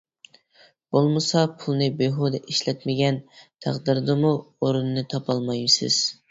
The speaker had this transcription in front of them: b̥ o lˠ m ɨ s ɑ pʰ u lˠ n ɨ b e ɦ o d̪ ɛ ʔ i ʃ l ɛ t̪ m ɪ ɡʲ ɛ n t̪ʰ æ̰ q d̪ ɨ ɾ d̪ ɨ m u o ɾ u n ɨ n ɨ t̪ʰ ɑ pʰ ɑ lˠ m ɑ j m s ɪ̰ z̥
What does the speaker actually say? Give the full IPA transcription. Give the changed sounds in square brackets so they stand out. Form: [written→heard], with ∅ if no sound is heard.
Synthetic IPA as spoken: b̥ o lˠ m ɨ s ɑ pʰ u lˠ n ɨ b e ɦ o d̪ ɛ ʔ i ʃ l ɛ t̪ m ɪ ɡʲ ɛ n t̪ʰ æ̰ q d̪ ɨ ɾ d̪ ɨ m u o ɾ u n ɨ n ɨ t̪ʰ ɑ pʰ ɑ lˠ m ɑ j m s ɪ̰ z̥